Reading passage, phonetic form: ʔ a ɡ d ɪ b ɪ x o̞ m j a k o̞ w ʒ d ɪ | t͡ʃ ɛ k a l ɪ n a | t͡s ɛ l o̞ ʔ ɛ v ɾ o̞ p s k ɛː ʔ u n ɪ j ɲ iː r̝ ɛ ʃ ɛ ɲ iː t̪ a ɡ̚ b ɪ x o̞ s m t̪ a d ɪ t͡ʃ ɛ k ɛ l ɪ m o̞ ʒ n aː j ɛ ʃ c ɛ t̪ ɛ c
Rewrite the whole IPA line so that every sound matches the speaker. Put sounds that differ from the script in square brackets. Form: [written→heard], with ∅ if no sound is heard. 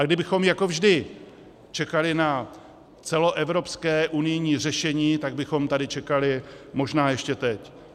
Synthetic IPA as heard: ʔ a ɡ d ɪ b ɪ x o̞ m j a k o̞ [w→v] ʒ d ɪ | t͡ʃ ɛ k a l ɪ n a | t͡s ɛ l o̞ ʔ ɛ v ɾ o̞ p s k ɛː ʔ u n ɪ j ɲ iː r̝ ɛ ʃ ɛ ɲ iː t̪ a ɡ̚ b ɪ x o̞ [s→∅] m t̪ a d ɪ t͡ʃ ɛ k [ɛ→a] l ɪ m o̞ ʒ n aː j ɛ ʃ c ɛ t̪ ɛ c